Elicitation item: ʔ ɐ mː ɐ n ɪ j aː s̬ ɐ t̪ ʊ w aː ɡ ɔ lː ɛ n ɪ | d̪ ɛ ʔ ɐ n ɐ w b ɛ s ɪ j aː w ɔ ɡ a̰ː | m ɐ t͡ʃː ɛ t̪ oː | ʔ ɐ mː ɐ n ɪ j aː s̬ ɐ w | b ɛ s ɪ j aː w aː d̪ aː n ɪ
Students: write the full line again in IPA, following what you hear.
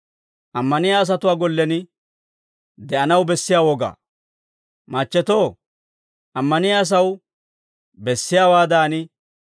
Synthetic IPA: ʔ ɐ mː ɐ n ɪ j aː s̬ ɐ t̪ ʊ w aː ɡ ɔ lː ɛ n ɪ | d̪ ɛ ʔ ɐ n ɐ w b ɛ sː ɪ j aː w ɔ ɡ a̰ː | m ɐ t͡ʃː ɛ t̪ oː | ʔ ɐ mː ɐ n ɪ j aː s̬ ɐ w | b ɛ sː ɪ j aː w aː d̪ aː n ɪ